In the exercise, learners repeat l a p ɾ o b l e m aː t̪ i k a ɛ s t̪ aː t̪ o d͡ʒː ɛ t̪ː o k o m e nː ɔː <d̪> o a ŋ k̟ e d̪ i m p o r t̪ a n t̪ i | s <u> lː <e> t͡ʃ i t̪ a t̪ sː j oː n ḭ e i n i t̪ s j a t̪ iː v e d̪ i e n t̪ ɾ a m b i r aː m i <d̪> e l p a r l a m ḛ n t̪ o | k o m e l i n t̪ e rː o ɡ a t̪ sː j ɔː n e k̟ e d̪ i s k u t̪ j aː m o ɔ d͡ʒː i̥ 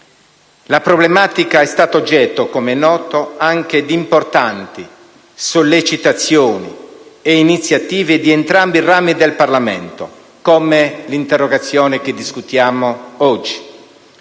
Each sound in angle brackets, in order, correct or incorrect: incorrect: t̪, incorrect: o, correct, correct

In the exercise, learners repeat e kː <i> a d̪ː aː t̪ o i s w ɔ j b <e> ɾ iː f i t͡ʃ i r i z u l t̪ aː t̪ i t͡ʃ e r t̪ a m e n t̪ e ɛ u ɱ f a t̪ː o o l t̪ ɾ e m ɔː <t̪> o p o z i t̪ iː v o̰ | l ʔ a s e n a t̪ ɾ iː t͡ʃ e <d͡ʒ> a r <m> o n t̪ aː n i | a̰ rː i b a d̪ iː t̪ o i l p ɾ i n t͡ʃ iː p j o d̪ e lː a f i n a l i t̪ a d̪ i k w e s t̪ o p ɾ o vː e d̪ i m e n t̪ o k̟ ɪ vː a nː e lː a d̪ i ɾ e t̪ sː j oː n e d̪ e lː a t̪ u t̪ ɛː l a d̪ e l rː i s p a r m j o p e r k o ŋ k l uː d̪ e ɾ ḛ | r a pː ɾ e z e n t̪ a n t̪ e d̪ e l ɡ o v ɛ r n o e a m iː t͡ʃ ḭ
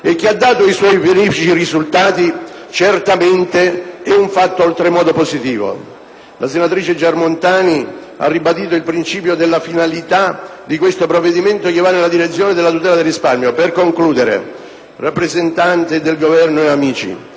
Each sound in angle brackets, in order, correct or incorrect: correct, correct, incorrect: d̪, correct, correct

